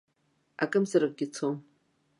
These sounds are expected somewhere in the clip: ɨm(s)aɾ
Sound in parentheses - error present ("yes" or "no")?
yes